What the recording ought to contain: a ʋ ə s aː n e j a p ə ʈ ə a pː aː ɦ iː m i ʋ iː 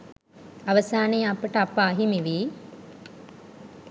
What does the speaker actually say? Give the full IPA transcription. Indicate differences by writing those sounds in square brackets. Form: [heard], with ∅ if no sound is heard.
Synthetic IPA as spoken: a ʋ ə s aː n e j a p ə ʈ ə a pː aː ɦ [i] m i ʋ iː